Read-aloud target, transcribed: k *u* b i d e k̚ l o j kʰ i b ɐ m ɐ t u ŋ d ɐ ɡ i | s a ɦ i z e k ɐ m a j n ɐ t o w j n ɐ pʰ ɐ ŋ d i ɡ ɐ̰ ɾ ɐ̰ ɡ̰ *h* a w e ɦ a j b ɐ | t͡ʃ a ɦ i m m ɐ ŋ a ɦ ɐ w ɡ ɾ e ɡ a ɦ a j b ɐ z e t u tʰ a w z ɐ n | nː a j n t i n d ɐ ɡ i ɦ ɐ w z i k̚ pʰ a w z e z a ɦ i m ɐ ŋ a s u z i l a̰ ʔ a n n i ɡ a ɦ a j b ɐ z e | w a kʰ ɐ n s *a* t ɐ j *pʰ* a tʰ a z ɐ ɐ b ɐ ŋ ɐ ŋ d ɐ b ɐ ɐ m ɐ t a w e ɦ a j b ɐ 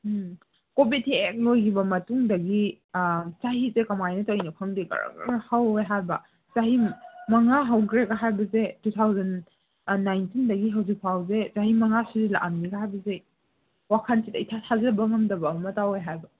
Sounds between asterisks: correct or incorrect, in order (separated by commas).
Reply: incorrect, correct, incorrect, incorrect